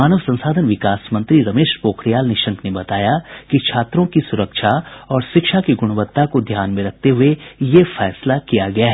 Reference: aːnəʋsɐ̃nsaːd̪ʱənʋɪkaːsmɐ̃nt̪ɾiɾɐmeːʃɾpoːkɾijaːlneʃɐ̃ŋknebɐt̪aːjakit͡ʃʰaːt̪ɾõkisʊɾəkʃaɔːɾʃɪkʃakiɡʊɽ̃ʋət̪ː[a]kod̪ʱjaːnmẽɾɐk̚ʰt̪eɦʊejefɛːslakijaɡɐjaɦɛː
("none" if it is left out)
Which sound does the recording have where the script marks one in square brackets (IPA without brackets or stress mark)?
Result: a